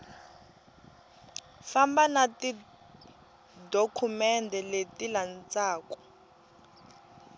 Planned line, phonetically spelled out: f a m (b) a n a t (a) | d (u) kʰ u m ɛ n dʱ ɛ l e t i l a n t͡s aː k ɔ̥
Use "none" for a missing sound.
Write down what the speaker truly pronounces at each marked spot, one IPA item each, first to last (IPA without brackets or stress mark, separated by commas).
b, i, o